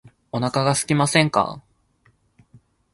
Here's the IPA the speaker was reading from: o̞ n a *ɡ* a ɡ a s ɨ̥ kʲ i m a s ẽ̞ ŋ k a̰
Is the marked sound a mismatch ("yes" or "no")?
yes